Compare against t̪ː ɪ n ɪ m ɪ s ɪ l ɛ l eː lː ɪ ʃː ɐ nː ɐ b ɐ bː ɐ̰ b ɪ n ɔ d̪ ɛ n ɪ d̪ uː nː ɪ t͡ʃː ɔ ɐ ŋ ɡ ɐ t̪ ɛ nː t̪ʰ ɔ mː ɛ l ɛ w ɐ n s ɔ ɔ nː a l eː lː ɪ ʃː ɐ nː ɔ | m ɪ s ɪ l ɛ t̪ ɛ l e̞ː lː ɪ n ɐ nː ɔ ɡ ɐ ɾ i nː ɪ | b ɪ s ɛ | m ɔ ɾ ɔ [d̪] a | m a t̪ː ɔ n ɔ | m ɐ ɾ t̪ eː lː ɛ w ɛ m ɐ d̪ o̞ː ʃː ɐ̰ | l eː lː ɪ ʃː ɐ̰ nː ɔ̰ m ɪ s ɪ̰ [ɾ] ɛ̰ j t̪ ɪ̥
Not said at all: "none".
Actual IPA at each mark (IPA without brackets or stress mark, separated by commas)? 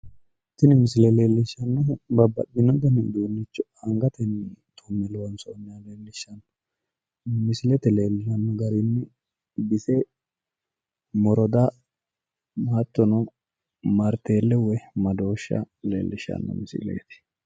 d̪, l